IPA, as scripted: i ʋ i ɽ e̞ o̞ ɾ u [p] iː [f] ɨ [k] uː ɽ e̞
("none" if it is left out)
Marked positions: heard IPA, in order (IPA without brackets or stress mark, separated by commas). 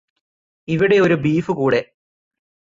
b, f, k